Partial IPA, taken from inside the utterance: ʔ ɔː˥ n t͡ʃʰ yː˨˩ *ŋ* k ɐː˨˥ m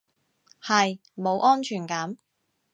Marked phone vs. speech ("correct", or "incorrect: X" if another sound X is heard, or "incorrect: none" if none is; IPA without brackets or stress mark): incorrect: n